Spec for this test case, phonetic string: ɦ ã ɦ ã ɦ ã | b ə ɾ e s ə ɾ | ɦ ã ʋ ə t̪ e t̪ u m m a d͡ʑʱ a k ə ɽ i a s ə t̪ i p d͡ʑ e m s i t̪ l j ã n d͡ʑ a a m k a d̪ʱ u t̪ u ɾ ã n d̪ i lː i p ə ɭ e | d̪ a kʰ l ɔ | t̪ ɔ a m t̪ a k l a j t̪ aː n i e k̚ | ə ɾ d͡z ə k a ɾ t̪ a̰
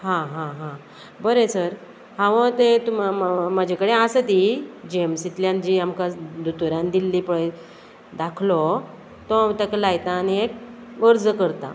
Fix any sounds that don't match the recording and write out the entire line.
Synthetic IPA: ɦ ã ɦ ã ɦ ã | b ə ɾ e s ə ɾ | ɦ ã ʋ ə t̪ e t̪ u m m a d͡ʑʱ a k ə ɽ e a s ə t̪ i d͡ʑ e m s i t̪ l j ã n d͡ʑ i a m k a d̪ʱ u t̪ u ɾ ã n d̪ i lː i p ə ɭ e | d̪ a kʰ l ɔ | t̪ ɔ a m t̪ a k l a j t̪ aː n i e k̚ | ə ɾ d͡z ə k ə ɾ t̪ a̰

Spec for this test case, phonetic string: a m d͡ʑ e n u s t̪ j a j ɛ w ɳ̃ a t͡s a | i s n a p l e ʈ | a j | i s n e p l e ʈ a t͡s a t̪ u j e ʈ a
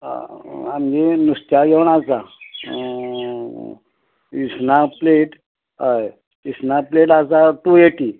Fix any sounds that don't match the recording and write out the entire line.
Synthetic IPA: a m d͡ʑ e n u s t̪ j a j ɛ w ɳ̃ a t͡s a | i s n a p l e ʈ | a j | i s n a p l e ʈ a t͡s a t̪ u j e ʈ i

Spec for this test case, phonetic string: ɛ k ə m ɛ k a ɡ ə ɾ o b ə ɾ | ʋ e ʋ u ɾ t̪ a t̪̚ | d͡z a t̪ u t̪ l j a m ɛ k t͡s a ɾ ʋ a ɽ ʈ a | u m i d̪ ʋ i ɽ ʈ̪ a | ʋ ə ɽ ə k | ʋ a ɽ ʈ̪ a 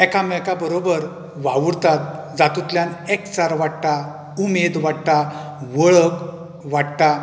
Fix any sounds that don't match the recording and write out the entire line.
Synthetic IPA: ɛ k a m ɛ k a b ə ɾ o b ə ɾ | ʋ a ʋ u ɾ t̪ a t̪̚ | d͡z a t̪ u t̪ l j a n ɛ k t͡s a ɾ ʋ a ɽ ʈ a | u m e d̪ ʋ a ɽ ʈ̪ a | ʋ ə ɭ ə k | ʋ a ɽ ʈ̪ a

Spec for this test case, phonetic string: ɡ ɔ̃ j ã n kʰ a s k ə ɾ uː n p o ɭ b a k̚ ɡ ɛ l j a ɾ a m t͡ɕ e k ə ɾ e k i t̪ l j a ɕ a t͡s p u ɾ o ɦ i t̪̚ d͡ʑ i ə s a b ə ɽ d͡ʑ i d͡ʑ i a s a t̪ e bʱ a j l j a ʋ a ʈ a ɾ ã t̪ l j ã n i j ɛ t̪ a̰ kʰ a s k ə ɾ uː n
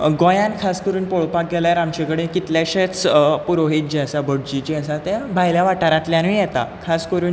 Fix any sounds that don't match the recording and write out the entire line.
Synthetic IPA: ɡ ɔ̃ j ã n kʰ a s k ə ɾ uː n p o ɭ p a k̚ ɡ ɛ l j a ɾ a m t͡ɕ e k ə ɽ e k i t̪ l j a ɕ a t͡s p u ɾ o ɦ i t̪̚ d͡ʑ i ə s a b ə ɽ d͡ʑ i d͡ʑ i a s a t̪ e bʱ a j l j a ʋ a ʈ a ɾ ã t̪ l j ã n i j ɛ t̪ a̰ kʰ a s k ə ɾ uː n

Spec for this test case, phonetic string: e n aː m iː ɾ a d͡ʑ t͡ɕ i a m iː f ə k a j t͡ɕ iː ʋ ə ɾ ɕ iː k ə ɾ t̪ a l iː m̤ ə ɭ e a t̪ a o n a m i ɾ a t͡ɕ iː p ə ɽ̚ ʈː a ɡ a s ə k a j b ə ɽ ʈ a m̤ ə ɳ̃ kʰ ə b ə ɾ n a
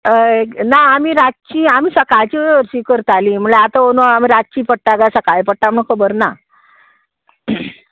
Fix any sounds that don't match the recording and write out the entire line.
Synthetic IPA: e n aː m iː ɾ a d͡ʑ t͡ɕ i a m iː s ə k a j t͡ɕ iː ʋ ə ɾ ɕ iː k ə ɾ t̪ a l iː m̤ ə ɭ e a t̪ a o n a m i ɾ a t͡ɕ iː p ə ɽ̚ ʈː a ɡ a s ə k a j p ə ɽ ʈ a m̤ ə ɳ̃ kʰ ə b ə ɾ n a

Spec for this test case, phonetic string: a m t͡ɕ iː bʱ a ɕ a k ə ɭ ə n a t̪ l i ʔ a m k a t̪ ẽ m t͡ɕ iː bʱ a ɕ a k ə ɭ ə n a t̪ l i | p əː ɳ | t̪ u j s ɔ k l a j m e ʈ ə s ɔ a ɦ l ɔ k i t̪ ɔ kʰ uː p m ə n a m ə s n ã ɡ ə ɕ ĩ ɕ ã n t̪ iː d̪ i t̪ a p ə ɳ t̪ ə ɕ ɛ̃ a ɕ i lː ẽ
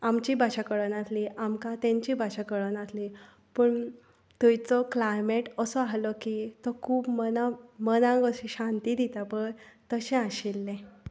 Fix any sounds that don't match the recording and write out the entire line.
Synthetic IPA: a m t͡ɕ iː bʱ a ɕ a k ə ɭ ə n a t̪ l i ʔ a m k a t̪ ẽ ɲ t͡ɕ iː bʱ a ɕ a k ə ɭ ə n a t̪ l i | p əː ɳ | t̪ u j t͡s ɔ k l a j m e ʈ ə s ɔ a ɦ l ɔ k i t̪ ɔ kʰ uː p m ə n a m ə n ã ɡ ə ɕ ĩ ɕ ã n t̪ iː d̪ i t̪ a p ə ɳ t̪ ə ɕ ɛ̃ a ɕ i lː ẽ

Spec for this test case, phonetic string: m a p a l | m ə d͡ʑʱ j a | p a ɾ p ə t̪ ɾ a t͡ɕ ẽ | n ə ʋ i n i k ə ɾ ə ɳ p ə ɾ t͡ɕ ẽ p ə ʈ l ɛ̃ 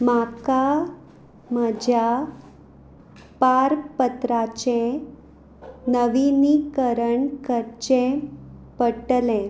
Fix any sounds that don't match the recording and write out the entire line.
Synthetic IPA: m a k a | m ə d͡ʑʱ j a | p a ɾ p ə t̪ ɾ a t͡ɕ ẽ | n ə ʋ i n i k ə ɾ ə ɳ k ə ɾ t͡ɕ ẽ p ə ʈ l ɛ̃

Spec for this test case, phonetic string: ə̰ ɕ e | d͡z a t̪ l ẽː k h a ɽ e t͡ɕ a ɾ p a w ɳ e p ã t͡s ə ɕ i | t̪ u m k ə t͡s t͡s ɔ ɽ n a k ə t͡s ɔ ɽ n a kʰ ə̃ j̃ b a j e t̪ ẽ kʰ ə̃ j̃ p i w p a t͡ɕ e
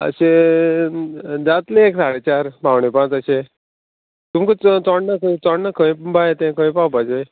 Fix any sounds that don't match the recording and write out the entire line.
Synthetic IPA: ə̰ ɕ e | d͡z a t̪ l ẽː k s a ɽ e t͡ɕ a ɾ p a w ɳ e p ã t͡s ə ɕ e | t̪ u m k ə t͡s t͡s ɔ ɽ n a k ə t͡s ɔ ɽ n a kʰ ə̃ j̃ b a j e t̪ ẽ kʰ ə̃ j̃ p a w p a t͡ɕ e

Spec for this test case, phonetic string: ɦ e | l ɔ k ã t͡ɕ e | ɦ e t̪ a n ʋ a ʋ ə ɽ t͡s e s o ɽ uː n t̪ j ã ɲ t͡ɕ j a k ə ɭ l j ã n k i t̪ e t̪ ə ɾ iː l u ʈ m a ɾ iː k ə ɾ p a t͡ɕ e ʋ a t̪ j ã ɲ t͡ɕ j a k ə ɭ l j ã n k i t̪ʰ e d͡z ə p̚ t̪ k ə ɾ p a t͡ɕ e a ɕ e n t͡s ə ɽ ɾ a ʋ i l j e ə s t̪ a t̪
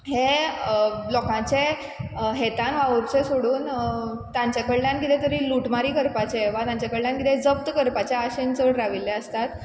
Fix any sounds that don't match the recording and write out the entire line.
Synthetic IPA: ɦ e | l ɔ k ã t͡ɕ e | ɦ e t̪ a n ʋ a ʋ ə ɾ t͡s e s o ɽ uː n t̪ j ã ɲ t͡ɕ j a k ə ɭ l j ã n k i t̪ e t̪ ə ɾ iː l u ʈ m a ɾ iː k ə ɾ p a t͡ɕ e ʋ a t̪ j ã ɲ t͡ɕ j a k ə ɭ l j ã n k i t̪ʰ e d͡z ə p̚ t̪ k ə ɾ p a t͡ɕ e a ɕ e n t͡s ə ɽ ɾ a ʋ i l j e ə s t̪ a t̪

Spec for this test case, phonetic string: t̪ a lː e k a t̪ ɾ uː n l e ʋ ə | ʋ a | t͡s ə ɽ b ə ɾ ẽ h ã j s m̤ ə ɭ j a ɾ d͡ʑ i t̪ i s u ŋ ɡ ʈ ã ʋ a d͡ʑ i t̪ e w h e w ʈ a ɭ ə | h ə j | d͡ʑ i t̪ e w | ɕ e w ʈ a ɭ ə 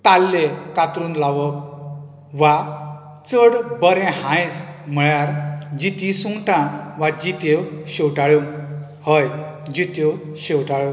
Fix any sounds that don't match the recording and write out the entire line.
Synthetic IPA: t̪ a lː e k a t̪ ɾ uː n l a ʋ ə | ʋ a | t͡s ə ɽ b ə ɾ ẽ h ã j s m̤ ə ɭ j a ɾ d͡ʑ i t̪ i s u ŋ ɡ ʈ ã ʋ a d͡ʑ i t̪ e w ɕ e w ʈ a ɭ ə | h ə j | d͡ʑ i t̪ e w | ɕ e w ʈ a ɭ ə

